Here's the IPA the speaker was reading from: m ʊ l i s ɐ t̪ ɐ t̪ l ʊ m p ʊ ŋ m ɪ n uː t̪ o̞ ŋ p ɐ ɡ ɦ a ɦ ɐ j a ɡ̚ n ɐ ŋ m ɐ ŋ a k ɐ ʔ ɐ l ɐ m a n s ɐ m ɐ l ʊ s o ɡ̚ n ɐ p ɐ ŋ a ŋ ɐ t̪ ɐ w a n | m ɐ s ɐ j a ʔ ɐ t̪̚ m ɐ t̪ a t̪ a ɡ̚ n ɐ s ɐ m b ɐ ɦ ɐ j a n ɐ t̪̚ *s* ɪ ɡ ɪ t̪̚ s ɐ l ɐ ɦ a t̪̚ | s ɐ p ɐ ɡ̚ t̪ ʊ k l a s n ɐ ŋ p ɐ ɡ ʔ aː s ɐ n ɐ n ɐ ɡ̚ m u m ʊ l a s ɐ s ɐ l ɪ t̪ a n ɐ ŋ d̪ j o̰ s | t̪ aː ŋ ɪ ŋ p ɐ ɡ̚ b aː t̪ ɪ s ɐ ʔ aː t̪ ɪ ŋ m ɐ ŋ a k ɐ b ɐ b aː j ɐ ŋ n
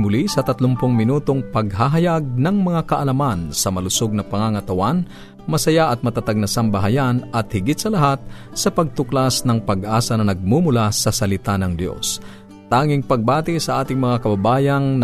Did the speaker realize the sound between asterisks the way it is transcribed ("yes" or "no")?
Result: no